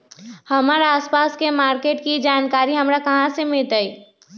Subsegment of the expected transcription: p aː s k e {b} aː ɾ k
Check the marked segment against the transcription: incorrect: m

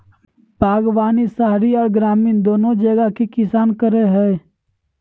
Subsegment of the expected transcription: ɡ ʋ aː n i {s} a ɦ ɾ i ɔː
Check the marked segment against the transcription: correct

